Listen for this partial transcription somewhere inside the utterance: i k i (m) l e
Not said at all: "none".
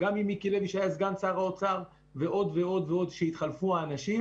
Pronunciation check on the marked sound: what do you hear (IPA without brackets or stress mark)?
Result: none